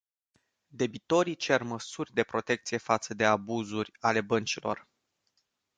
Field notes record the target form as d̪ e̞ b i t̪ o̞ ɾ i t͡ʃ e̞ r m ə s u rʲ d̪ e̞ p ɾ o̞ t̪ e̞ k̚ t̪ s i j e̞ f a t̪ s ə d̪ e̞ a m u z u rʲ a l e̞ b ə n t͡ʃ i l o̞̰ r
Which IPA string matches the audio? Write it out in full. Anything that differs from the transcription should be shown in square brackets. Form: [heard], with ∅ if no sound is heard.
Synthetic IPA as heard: d̪ e̞ b i t̪ o̞ ɾ i t͡ʃ e̞ r m ə s u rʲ d̪ e̞ p ɾ o̞ t̪ e̞ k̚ t̪ s i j e̞ f a t̪ s ə d̪ e̞ a [b] u z u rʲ a l e̞ b ə n t͡ʃ i l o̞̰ r